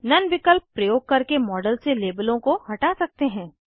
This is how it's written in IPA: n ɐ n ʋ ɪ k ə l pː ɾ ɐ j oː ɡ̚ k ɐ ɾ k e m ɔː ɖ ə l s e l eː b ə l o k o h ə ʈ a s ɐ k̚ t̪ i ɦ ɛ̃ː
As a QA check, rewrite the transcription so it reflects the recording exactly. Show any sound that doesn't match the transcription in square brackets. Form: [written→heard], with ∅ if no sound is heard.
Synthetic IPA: n ɐ n ʋ ɪ k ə l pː ɾ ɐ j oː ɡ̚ k ɐ ɾ k e m ɔː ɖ ə l s e l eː b ə l [o→õ] k o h [ə→ɐ] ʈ a s ɐ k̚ t̪ [i→e] ɦ ɛ̃ː